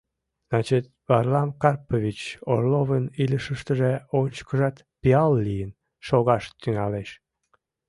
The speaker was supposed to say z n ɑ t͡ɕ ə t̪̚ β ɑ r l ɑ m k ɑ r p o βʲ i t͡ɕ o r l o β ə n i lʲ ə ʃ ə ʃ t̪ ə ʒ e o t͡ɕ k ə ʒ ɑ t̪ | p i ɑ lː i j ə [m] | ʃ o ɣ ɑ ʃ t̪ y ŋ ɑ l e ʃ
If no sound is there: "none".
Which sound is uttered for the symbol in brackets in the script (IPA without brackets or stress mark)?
n